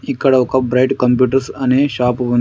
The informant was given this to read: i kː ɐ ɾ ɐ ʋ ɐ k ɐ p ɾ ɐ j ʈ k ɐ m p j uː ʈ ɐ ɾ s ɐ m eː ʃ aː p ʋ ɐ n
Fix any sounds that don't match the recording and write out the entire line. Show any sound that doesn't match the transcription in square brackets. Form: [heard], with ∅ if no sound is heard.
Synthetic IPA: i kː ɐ [ɽ] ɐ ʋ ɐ k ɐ [b] ɾ ɐ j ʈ k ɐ m p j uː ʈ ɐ ɾ s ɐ [n] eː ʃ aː p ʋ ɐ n